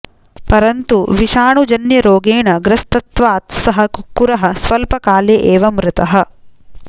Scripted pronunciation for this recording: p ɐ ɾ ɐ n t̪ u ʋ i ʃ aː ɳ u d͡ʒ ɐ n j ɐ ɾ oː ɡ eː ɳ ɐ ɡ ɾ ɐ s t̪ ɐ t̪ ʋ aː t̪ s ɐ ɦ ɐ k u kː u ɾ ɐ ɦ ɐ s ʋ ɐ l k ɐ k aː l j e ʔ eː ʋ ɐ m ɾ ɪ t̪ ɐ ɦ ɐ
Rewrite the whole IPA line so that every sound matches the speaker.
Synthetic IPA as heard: p ɐ ɾ ɐ n t̪ u ʋ i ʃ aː ɳ u d͡ʒ ɐ n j ɐ ɾ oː ɡ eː ɳ ɐ ɡ ɾ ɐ s t̪ ɐ t̪ ʋ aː t̪ s ɐ ɦ ɐ k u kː u ɾ ɐ ɦ ɐ s ʋ ɐ l p ɐ k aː l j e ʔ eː ʋ ɐ m ɾ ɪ t̪ ɐ ɦ ɐ